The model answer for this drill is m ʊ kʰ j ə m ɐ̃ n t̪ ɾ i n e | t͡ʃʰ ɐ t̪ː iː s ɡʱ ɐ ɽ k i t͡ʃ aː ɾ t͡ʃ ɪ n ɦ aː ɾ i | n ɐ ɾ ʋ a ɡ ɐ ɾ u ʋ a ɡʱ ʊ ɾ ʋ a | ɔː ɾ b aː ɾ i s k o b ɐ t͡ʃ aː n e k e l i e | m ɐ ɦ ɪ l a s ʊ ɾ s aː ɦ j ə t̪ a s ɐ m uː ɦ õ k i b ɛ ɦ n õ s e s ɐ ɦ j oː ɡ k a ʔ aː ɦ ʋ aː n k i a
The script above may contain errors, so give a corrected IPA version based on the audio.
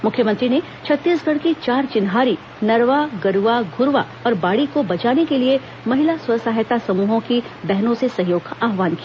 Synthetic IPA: m ʊ kʰ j ə m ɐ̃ n t̪ ɾ i n e | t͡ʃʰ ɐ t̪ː iː s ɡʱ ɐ ɽ k i t͡ʃ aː ɾ t͡ʃ ɪ n ɦ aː ɾ i | n ɐ ɾ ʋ a ɡ ɐ ɾ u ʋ a ɡʱ ʊ ɾ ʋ a | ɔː ɾ b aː ɽ i k o b ɐ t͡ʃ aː n e k e l i e | m ɐ ɦ ɪ l a s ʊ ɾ s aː ɦ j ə t̪ a s ɐ m uː ɦ õ k i b ɛ ɦ n õ s e s ɐ ɦ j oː ɡ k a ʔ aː ɦ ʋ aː n k i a